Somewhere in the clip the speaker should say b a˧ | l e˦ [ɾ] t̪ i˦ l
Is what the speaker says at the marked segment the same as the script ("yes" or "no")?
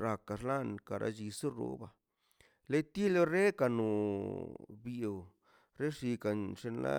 no